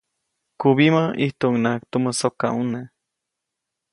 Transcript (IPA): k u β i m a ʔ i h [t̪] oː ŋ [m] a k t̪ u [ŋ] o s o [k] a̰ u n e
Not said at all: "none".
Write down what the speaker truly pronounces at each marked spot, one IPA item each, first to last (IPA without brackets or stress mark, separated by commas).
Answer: t̪, n, m, k